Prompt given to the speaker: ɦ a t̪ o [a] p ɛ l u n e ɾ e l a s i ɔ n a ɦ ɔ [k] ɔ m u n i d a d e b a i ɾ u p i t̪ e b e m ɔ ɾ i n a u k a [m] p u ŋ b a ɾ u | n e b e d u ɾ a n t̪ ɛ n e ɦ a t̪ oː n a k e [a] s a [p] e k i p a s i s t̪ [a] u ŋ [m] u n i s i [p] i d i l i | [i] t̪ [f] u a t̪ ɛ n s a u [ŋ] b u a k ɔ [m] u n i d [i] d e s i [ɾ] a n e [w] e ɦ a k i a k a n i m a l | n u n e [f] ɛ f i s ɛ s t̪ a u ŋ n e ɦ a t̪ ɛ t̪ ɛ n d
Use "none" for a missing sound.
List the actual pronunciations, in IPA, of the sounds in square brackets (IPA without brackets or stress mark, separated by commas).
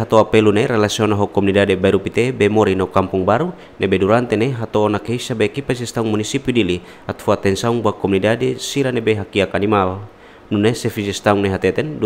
a, k, m, i, b, a, m, p, a, f, ŋ, m, a, ɾ, b, s